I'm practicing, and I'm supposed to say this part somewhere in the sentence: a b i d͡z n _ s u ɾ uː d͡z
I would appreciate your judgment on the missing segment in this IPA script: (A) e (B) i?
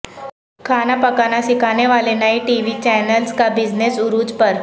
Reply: A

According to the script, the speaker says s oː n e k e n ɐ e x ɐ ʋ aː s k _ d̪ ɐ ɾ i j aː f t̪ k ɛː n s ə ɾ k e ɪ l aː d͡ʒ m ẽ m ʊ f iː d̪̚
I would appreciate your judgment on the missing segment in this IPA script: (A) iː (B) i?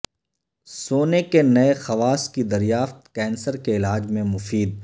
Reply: B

